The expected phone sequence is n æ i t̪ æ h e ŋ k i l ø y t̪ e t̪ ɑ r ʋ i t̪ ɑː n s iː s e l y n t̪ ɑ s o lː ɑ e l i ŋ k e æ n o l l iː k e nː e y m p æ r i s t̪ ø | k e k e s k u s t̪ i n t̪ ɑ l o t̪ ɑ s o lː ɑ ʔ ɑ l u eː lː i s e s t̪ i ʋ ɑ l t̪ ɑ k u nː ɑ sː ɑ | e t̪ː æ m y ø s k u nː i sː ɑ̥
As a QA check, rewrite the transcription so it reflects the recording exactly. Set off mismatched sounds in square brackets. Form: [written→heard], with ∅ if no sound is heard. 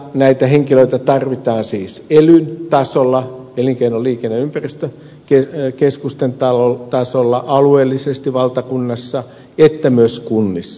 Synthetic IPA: n æ i t̪ æ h e ŋ k i l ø [y→i] t̪ [e→æ] t̪ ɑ r ʋ i t̪ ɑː n s iː s e l y n t̪ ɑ s o lː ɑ e l i ŋ k e [æ→i] n o l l iː k e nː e y m p æ r i s t̪ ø | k e k e s k u s t̪ [i→e] n t̪ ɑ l o t̪ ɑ s o lː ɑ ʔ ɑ l u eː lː i s e s t̪ i ʋ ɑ l t̪ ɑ k u nː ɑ sː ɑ | e t̪ː æ m y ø s k u nː i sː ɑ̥